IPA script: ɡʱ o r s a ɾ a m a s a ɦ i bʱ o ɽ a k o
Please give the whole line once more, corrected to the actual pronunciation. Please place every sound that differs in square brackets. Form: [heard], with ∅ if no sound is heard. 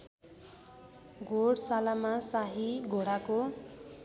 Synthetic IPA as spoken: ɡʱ o [ɽ] s a [l] a m a s a ɦ i [ɡʱ] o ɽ a k o